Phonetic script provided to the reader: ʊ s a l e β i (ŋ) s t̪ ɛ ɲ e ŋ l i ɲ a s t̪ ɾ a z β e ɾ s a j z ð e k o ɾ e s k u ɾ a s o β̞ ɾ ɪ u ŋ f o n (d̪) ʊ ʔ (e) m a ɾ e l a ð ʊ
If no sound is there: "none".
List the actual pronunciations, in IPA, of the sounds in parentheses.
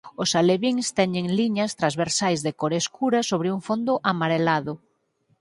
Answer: ŋ, d̪, a

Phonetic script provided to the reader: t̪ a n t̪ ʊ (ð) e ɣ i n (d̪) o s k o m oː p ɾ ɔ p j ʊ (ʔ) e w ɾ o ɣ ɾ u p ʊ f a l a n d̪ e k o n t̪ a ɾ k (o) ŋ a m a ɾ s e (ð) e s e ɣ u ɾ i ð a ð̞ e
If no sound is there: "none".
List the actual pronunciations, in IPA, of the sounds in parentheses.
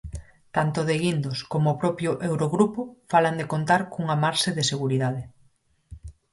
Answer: ð, d̪, ʔ, u, ð

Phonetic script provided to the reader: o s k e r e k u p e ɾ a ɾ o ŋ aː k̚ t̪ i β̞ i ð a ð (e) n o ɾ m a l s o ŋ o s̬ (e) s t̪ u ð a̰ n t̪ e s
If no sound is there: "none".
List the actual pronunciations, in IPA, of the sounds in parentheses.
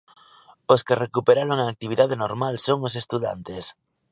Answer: e, e

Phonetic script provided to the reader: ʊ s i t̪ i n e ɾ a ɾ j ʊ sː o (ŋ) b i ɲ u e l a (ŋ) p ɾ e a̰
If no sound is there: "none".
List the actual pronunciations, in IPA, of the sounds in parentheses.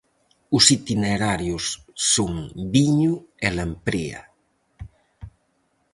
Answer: ŋ, m

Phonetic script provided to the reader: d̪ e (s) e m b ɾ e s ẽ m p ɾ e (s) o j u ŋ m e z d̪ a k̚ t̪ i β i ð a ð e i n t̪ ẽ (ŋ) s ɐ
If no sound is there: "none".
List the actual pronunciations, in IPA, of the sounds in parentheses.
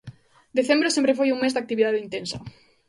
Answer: θ, f, n

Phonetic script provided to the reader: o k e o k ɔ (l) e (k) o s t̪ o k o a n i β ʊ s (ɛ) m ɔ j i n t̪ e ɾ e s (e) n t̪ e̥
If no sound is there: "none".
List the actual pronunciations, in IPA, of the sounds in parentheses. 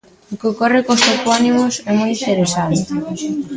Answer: r, k, ɛ, a

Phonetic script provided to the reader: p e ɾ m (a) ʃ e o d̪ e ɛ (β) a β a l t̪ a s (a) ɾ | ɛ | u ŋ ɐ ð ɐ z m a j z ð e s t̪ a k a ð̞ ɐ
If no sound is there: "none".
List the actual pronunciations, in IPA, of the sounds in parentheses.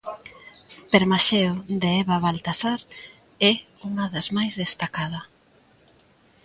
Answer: a, β, a

